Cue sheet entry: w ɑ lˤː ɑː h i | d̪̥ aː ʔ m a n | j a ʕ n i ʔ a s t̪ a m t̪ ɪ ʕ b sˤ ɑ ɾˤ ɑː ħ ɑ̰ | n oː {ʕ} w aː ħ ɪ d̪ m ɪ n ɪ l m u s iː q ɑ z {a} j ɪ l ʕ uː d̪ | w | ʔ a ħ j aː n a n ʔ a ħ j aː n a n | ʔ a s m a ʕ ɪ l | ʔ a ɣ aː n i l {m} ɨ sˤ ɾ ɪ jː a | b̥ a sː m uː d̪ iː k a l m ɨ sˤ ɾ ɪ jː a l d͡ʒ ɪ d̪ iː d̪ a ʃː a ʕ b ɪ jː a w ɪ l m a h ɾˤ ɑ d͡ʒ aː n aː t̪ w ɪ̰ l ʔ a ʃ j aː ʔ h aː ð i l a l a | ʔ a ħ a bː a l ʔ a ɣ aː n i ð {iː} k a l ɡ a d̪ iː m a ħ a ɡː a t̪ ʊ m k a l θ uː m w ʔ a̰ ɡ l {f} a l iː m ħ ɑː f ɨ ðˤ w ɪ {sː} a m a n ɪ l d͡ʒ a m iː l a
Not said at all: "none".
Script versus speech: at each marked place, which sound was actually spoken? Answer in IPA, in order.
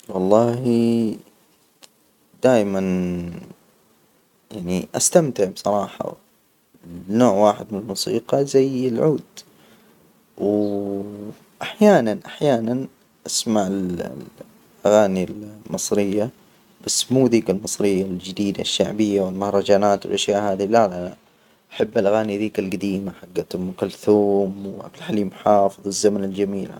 ʕ, a, m, iː, ħ, zː

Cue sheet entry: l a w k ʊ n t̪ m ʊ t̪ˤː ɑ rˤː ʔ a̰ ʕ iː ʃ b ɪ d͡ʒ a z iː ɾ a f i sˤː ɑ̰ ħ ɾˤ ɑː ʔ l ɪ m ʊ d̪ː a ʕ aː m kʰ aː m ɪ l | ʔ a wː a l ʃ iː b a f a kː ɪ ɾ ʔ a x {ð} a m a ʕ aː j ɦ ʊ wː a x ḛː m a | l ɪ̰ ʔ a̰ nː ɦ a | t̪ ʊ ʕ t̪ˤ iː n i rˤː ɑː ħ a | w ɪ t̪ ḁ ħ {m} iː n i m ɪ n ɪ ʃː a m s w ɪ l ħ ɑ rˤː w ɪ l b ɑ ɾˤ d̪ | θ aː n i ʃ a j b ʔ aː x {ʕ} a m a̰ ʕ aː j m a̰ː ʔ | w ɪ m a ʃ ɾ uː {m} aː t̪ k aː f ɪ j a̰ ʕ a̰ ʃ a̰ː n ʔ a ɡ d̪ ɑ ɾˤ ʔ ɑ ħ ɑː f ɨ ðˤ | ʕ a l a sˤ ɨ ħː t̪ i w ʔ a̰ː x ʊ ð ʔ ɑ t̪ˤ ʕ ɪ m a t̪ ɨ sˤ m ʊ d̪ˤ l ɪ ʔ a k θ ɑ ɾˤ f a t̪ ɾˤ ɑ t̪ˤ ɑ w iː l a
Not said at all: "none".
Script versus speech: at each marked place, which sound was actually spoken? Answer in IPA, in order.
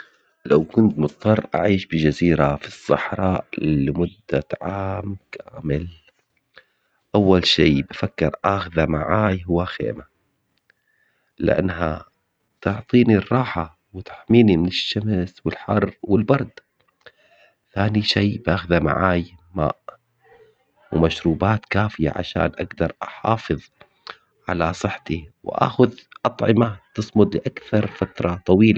ð, m, ð, b

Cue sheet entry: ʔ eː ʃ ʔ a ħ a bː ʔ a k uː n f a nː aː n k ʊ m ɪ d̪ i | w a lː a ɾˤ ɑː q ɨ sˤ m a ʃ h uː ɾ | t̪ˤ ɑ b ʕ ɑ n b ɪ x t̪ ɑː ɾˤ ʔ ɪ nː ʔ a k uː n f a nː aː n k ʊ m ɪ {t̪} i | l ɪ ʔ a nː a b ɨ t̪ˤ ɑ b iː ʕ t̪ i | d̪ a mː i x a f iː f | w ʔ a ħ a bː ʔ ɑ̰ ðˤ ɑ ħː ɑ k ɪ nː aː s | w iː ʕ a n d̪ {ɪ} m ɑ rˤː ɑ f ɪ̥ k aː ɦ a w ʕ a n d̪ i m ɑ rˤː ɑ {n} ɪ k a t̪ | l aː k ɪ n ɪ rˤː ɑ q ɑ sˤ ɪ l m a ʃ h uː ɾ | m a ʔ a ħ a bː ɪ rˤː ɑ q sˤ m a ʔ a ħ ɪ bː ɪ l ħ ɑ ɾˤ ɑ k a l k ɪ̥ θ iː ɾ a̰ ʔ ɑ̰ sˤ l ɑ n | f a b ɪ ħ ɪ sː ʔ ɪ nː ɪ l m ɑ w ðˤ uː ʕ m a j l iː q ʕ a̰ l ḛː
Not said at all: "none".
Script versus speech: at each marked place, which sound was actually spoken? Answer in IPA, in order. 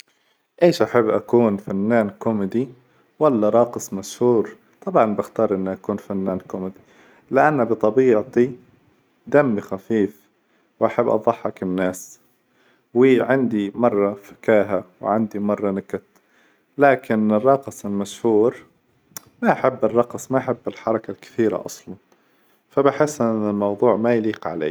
d̪, i, n

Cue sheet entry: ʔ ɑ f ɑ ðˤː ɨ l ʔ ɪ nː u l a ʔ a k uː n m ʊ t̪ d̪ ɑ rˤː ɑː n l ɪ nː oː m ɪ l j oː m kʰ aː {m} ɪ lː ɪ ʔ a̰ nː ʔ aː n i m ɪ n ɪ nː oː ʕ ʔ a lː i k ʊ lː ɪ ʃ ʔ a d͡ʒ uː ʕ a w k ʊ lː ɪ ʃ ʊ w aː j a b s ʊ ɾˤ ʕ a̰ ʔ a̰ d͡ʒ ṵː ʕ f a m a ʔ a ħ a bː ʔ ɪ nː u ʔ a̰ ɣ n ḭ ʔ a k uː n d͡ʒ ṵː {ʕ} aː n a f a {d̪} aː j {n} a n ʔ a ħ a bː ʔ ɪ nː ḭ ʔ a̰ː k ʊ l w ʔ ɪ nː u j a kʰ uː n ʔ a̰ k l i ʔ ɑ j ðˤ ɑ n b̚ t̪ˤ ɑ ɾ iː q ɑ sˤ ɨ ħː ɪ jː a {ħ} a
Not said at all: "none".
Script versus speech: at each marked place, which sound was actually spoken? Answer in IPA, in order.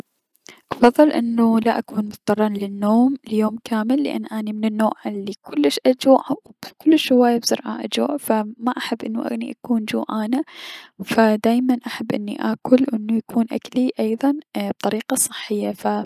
m, ʕ, d̪, m, f

